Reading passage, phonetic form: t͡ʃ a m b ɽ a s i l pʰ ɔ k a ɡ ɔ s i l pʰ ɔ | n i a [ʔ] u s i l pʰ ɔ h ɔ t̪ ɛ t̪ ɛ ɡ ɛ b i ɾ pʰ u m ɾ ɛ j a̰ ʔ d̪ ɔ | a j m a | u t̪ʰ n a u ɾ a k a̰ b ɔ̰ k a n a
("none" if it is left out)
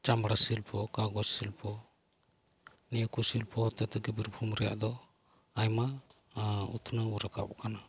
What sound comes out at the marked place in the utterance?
k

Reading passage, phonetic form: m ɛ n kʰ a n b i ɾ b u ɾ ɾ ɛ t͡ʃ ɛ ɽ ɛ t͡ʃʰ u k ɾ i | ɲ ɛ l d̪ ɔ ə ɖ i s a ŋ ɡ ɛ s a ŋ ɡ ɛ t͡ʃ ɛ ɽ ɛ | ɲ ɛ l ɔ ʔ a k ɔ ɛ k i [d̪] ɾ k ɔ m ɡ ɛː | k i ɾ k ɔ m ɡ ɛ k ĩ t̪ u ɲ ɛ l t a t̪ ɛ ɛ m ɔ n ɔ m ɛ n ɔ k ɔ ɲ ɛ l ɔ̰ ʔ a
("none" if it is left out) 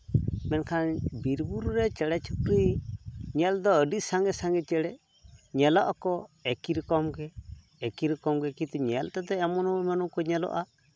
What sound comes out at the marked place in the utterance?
none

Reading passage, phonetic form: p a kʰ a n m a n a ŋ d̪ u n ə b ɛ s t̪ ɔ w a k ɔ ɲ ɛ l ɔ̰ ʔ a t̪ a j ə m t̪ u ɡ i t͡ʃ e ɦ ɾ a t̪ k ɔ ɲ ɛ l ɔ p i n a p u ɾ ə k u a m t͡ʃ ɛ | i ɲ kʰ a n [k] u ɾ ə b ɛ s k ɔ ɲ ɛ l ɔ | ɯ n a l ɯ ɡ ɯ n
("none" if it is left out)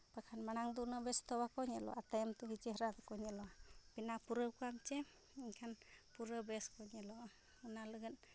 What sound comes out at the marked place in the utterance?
p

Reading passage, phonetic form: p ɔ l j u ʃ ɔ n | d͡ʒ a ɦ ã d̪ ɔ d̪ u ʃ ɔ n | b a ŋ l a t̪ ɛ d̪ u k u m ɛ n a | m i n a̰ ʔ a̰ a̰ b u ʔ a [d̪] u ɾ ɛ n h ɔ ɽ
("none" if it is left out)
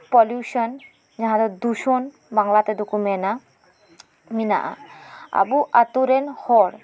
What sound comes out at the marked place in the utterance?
t̪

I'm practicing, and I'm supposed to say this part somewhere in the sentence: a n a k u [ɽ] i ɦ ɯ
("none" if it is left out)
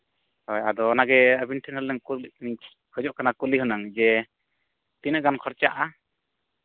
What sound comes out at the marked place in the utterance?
l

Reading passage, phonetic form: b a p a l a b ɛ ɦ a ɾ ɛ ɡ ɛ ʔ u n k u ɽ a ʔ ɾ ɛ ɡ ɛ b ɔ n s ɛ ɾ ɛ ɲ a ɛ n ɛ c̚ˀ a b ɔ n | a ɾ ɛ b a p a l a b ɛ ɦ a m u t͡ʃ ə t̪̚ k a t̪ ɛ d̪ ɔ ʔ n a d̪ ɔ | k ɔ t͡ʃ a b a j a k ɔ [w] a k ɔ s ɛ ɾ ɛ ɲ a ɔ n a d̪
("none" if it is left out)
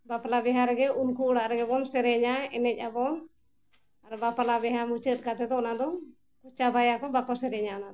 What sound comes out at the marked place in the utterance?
b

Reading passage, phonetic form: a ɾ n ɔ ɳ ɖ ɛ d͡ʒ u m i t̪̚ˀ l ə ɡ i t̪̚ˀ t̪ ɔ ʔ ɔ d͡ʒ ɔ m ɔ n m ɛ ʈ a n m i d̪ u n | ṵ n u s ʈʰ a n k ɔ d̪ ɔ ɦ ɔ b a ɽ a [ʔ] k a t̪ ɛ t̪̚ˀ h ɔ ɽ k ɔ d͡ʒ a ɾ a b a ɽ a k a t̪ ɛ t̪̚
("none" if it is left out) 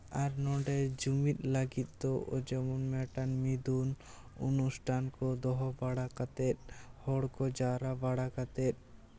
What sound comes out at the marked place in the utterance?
none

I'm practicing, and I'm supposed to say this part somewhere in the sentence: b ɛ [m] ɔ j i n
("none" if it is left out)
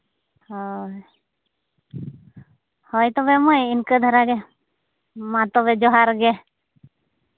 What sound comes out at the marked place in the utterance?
m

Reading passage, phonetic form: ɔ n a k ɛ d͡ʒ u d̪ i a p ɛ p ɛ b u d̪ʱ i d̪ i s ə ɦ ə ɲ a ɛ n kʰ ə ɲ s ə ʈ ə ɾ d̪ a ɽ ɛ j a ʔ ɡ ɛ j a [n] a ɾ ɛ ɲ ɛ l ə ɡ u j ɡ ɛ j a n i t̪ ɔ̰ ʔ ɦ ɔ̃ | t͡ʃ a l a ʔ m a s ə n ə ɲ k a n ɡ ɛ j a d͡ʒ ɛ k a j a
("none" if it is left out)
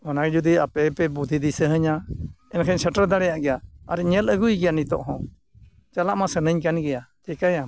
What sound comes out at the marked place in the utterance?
none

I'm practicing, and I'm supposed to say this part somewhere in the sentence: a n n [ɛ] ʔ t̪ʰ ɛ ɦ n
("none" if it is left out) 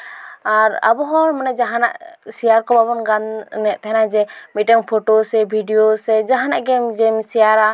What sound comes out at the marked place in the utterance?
ɛ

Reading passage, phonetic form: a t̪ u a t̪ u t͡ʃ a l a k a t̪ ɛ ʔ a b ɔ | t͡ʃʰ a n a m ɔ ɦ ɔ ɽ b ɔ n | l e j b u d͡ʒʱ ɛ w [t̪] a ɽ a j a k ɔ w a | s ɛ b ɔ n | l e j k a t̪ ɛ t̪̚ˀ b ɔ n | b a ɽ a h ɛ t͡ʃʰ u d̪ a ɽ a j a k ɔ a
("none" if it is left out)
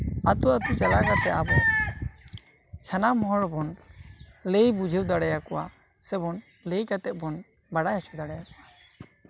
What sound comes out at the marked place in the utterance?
d̪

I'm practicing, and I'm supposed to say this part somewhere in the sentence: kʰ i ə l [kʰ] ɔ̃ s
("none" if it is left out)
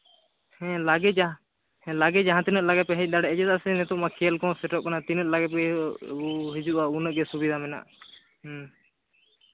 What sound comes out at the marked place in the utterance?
k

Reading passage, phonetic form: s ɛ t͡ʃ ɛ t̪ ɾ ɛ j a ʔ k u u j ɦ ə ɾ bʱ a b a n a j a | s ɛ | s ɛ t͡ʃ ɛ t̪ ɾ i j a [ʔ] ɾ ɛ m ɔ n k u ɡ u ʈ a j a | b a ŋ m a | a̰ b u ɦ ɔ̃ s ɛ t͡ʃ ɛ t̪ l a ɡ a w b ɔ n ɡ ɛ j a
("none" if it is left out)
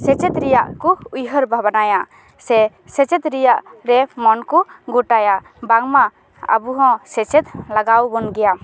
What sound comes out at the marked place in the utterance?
ʔ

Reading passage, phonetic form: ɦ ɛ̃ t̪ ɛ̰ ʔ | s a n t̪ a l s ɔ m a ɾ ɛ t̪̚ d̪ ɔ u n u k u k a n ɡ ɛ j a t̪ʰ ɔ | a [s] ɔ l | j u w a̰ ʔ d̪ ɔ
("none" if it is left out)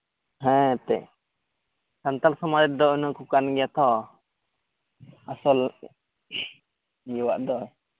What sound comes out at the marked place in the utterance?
s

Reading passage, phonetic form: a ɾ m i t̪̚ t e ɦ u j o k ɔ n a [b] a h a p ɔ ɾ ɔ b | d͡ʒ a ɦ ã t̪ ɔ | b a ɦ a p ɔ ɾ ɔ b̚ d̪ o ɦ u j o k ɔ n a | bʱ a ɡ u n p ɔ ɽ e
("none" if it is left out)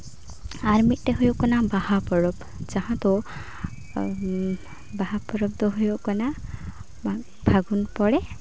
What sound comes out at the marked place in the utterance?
b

